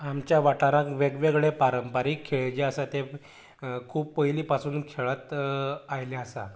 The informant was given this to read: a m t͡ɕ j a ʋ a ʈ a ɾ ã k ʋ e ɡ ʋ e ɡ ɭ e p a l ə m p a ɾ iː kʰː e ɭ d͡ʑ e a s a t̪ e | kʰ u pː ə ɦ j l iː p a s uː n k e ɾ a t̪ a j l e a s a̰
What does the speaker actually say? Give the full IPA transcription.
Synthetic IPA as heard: a m t͡ɕ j a ʋ a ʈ a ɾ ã k ʋ e ɡ ʋ e ɡ ɭ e p a ɾ ə m p a ɾ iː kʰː e ɭ d͡ʑ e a s a t̪ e | kʰ uː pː ə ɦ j l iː p a s uː n kʰ e ɭ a t̪ a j l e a s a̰